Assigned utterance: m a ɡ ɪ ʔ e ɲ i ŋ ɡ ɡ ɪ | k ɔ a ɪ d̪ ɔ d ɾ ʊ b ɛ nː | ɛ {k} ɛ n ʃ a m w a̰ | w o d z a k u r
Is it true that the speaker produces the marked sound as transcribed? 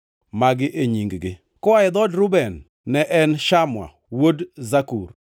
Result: no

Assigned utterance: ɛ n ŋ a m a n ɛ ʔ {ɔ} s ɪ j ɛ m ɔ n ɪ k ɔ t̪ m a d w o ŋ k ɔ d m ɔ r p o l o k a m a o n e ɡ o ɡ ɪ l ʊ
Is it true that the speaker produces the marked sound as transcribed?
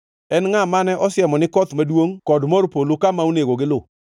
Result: yes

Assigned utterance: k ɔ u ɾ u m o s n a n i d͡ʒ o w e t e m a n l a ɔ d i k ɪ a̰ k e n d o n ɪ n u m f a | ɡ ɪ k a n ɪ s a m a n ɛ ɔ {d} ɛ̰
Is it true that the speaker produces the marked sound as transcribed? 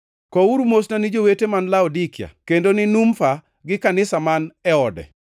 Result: yes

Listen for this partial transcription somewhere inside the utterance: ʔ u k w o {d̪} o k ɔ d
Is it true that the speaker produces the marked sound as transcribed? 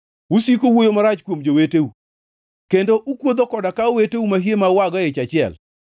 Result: yes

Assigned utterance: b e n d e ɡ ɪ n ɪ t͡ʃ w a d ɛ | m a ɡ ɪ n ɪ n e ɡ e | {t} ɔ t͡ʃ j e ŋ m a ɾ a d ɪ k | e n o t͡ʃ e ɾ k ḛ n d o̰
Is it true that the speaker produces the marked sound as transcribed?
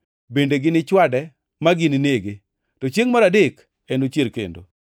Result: yes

